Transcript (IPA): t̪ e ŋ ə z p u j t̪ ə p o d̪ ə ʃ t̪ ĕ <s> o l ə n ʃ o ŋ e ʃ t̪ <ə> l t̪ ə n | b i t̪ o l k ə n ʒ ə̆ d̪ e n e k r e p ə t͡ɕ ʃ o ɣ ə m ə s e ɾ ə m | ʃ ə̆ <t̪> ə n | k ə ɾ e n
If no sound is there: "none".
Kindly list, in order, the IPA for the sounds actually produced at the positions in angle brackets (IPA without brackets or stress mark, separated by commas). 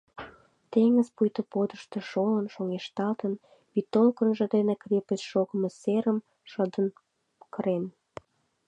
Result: ʃ, ɑ, d̪